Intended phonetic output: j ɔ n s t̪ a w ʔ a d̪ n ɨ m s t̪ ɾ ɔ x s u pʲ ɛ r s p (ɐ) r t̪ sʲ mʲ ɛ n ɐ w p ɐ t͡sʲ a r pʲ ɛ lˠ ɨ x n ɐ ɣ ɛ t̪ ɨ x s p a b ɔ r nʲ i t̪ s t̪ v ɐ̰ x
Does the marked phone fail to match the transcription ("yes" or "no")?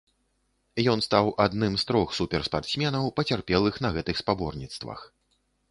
yes